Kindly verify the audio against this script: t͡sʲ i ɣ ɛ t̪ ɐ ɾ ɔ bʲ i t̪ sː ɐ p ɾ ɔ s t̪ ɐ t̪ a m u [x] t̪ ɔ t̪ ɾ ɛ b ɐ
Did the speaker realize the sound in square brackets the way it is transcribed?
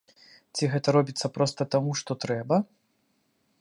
no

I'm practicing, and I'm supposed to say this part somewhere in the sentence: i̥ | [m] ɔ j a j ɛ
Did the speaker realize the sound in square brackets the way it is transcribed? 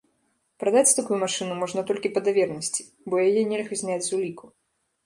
no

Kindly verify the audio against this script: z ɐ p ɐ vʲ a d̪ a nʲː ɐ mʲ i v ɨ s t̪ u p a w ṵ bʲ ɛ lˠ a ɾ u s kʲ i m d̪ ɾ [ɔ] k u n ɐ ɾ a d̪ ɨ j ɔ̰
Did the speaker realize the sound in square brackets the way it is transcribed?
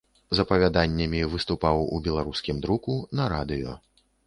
no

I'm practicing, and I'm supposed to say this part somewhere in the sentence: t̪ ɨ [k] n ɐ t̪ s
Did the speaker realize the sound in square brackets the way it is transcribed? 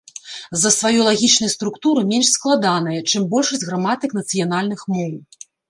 yes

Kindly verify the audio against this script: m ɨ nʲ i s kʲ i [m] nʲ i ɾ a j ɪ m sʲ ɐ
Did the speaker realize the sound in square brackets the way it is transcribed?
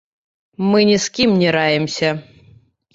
yes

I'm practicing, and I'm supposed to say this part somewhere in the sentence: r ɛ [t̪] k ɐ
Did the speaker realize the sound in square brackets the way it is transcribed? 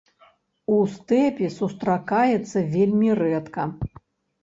yes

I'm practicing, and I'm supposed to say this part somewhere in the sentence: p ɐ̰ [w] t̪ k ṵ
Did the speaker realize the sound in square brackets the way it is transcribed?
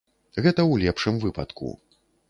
no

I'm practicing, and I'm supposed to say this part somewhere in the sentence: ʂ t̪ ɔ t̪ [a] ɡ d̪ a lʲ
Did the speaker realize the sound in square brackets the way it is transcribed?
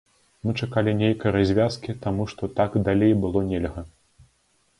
yes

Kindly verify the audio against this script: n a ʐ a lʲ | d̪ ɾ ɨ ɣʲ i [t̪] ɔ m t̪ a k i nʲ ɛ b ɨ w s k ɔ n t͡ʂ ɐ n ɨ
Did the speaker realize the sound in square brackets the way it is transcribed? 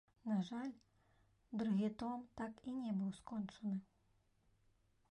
yes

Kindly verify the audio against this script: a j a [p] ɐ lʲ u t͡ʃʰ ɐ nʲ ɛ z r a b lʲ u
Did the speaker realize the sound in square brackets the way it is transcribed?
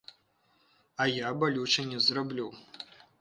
no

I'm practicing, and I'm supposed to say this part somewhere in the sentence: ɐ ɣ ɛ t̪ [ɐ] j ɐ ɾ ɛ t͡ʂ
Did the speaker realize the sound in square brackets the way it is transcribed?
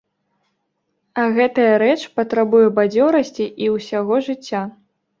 yes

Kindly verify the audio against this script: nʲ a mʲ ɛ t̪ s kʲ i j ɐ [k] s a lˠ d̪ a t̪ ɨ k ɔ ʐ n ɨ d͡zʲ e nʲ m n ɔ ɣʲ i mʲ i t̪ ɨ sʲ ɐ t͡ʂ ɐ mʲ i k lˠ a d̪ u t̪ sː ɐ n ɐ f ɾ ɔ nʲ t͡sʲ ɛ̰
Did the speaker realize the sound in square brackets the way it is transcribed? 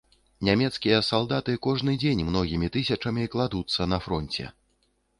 no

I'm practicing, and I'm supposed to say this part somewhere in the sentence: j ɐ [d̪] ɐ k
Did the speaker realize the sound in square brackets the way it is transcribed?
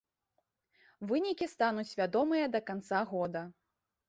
yes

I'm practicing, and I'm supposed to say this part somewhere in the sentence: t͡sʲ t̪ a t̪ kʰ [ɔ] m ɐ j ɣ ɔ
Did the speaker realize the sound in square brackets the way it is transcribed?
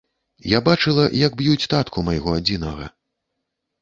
no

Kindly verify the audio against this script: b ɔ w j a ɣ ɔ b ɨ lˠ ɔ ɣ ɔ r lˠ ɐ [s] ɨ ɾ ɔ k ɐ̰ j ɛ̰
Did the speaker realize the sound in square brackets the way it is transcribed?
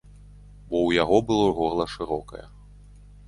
no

